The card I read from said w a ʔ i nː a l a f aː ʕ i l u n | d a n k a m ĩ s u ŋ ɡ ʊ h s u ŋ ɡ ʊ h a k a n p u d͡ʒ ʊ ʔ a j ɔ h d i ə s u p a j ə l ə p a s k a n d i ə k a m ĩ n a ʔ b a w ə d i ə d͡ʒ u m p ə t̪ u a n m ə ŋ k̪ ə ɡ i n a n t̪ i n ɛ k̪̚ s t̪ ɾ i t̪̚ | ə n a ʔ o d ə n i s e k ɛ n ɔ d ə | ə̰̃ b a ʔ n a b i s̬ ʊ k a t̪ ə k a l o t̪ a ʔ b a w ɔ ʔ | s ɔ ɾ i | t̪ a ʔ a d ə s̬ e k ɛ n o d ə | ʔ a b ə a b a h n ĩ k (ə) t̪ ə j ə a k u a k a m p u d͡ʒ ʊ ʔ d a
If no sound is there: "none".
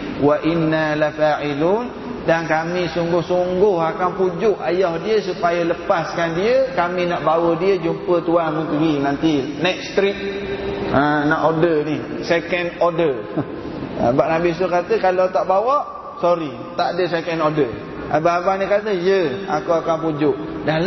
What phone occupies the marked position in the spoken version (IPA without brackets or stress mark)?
a